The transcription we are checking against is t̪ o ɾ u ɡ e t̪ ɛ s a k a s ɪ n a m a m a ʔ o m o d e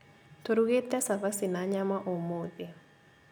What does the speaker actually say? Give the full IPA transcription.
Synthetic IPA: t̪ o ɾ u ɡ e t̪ ɛ s a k a s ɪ n a ɲ a m a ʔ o m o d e